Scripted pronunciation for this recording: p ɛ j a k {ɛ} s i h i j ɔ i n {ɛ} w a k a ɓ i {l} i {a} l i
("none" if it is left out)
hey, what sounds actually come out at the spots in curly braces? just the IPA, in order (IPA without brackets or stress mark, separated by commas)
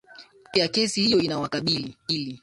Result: ɛ, a, l, i